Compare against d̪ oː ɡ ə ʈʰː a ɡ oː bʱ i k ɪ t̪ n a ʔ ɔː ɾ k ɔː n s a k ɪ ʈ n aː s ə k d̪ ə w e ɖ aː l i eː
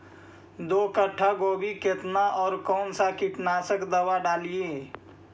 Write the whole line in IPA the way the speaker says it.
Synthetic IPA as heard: d̪ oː k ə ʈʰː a ɡ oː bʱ i k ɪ t̪ n a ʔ ɔː ɾ k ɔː n s a k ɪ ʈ n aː s ə k d̪ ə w a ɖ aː l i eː